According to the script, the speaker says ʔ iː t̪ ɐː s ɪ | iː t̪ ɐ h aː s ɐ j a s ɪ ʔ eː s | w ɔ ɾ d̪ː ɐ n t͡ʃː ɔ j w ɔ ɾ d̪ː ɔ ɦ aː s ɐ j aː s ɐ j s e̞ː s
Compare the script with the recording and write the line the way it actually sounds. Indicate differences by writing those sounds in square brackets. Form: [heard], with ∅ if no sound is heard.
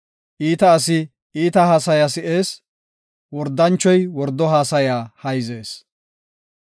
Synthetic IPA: ʔ iː t̪ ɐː s ɪ | iː t̪ ɐ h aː s ɐ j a s ɪ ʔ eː s | w ɔ ɾ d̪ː ɐ n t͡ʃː ɔ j w ɔ ɾ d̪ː ɔ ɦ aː s ɐ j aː [h] ɐ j [z] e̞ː s